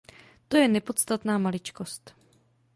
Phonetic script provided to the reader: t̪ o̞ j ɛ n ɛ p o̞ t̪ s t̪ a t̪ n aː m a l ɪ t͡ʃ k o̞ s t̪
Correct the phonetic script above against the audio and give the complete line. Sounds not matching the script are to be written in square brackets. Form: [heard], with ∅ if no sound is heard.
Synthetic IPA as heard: t̪ o̞ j ɛ n ɛ p o̞ t̪ s t̪ a t̪ n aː m a l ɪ t͡ʃ k o̞ s t̪